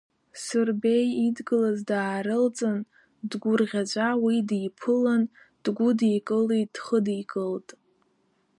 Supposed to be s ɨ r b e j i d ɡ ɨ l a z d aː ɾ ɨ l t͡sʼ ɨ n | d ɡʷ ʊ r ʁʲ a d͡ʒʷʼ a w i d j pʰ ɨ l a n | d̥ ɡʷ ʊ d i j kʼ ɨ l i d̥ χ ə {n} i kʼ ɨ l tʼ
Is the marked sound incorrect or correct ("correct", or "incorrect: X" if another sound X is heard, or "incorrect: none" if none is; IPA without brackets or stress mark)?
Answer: incorrect: d